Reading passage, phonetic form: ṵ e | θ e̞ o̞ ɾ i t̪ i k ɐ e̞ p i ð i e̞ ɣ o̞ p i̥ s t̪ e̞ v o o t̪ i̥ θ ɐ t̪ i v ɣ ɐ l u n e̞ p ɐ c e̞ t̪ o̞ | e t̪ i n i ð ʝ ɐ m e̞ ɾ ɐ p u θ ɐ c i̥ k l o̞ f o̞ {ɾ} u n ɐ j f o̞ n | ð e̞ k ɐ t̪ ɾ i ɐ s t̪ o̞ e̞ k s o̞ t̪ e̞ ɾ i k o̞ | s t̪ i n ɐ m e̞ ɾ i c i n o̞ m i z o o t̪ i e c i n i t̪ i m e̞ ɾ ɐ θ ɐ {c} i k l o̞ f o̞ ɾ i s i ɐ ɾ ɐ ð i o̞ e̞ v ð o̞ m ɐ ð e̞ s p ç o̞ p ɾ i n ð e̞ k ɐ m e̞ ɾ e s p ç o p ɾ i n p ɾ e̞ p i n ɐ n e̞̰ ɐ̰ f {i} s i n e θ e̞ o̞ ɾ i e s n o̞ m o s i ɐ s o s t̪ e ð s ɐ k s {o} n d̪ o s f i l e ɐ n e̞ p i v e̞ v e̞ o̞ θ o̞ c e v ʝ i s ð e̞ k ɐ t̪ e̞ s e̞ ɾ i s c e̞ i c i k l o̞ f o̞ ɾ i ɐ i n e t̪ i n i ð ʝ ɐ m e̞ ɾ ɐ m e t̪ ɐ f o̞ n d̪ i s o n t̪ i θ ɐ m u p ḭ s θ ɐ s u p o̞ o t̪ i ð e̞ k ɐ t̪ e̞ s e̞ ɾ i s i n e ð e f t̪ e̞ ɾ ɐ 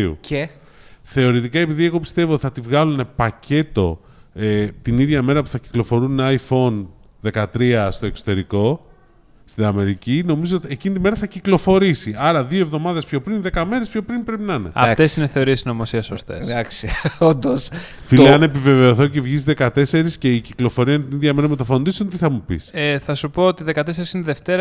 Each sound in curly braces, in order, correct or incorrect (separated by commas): correct, correct, incorrect, correct